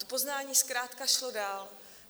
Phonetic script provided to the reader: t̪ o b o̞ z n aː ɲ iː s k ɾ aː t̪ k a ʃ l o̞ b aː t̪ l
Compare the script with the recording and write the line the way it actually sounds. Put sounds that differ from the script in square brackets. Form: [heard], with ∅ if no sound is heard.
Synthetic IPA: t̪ o [p] o̞ z n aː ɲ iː s k ɾ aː t̪ k a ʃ l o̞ [d] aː [∅] l